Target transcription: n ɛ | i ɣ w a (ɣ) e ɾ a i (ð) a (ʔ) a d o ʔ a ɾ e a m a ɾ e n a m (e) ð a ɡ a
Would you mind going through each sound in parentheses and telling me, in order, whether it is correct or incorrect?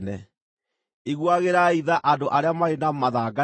correct, correct, correct, incorrect

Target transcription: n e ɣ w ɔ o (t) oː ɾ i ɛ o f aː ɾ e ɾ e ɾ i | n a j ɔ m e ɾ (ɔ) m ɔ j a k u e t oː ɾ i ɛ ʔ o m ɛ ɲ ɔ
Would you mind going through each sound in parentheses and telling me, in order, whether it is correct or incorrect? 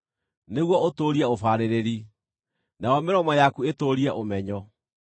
correct, correct

